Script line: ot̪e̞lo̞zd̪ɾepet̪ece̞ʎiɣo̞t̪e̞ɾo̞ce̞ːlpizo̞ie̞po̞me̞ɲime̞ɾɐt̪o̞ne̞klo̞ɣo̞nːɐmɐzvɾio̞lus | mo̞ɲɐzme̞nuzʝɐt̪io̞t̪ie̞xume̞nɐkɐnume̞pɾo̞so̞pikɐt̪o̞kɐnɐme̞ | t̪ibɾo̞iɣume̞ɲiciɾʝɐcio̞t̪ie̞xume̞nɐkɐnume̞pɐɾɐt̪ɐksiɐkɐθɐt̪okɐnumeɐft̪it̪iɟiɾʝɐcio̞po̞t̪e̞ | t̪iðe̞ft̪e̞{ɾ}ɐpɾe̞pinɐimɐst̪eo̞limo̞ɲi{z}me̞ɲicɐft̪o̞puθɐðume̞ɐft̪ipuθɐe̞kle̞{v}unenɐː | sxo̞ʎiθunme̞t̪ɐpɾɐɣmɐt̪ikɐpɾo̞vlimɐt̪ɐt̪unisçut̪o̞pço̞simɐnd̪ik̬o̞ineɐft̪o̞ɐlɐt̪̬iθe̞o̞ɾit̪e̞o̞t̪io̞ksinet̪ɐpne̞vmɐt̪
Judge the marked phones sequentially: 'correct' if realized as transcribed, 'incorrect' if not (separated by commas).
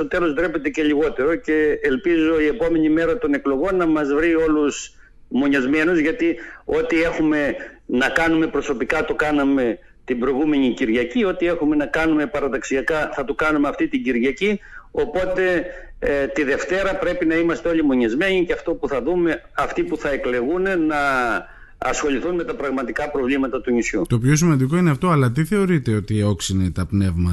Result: correct, correct, incorrect